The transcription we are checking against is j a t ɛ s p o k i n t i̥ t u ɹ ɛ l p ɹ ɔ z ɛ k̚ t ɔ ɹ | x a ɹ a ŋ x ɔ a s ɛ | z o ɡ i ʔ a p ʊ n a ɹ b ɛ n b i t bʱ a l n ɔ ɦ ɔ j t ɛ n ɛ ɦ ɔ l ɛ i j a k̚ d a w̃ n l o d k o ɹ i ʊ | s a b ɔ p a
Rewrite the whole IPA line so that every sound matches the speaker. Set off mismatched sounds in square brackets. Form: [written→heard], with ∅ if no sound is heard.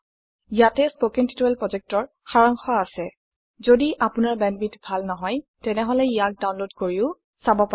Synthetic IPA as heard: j a t ɛ s p o k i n t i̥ t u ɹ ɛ l p ɹ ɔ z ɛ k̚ t ɔ ɹ | x a ɹ a ŋ x ɔ a s ɛ | z o [ɡ→d] i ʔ a p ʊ n a ɹ b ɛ n b i t bʱ a l n ɔ ɦ ɔ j t ɛ n ɛ ɦ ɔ l ɛ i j a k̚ d a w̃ n l o d k o ɹ i ʊ | s a b ɔ p a